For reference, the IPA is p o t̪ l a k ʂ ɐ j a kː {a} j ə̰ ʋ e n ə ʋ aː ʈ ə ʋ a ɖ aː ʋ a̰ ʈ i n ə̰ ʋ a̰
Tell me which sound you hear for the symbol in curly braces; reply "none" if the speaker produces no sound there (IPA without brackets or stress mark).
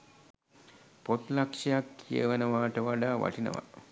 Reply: i